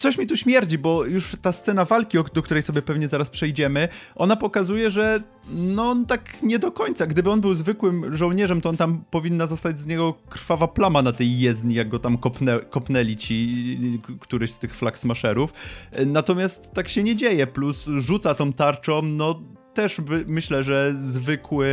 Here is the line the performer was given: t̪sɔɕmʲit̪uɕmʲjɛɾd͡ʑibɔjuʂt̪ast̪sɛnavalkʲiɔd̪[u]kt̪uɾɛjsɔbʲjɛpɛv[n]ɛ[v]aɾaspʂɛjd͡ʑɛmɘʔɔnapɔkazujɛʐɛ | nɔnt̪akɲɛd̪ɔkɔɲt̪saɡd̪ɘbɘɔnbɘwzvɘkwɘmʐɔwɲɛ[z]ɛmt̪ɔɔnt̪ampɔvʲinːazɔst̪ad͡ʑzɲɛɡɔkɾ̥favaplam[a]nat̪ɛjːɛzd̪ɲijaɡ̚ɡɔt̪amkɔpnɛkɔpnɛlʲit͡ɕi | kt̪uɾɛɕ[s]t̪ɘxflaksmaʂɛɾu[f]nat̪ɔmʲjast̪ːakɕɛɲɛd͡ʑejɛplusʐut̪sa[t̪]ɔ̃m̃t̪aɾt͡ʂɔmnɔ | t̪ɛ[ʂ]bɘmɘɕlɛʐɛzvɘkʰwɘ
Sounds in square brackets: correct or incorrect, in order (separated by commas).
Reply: incorrect, incorrect, incorrect, incorrect, correct, correct, correct, correct, correct